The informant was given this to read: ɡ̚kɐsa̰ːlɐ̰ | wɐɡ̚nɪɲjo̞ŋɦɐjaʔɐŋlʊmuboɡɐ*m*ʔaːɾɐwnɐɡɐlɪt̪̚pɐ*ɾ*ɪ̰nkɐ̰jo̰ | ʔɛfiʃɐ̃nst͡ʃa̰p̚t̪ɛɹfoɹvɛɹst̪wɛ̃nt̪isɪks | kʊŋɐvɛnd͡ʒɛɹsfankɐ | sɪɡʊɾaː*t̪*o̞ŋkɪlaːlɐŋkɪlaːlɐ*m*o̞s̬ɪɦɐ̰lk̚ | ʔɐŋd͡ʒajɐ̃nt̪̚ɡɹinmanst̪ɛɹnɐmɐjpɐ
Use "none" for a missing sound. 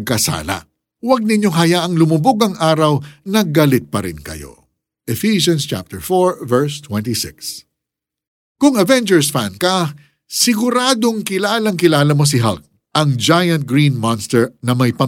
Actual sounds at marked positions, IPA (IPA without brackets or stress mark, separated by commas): ŋ, ɾ, d̪, m